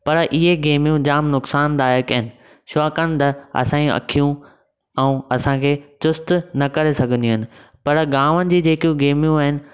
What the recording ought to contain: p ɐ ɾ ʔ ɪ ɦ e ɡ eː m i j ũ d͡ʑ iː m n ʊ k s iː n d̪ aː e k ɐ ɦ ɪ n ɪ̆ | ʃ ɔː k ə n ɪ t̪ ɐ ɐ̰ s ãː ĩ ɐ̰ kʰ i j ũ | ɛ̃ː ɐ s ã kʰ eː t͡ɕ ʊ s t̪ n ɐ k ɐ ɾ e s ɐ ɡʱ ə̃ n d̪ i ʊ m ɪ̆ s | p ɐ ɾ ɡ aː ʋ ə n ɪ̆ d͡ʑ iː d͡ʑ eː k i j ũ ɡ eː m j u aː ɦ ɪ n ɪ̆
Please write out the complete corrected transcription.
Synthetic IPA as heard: p ɐ ɾ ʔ ɪ ɦ e ɡ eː m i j ũ d͡ʑ aː m n ʊ k s aː n d̪ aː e k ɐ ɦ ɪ n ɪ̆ | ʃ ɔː k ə n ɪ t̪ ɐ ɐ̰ s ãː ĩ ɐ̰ kʰ i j ũ | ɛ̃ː ɐ s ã kʰ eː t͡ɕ ʊ s t̪ n ɐ k ɐ ɾ e s ɐ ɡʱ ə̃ n d̪ i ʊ n ɪ̆ | p ɐ ɾ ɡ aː ʋ ə n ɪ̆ d͡ʑ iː d͡ʑ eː k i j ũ ɡ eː m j ũ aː ɦ ɪ n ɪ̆